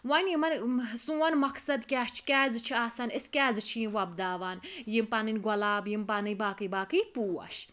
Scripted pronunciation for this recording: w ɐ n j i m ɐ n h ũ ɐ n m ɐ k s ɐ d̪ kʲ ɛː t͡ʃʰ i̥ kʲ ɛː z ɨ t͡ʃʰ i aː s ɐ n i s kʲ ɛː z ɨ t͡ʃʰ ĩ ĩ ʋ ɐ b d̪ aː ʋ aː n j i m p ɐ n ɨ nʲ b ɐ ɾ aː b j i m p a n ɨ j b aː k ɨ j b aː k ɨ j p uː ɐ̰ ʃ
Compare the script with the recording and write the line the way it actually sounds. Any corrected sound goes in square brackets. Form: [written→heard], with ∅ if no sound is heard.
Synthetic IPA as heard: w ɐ n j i m ɐ n [h→s] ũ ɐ n m ɐ k s ɐ d̪ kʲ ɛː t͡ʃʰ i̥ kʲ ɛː z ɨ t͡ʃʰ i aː s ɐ n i s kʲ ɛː z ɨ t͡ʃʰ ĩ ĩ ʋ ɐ b d̪ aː ʋ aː n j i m p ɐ n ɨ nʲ [b→ɡ] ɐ [ɾ→l] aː b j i m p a n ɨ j b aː k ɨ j b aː k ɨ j p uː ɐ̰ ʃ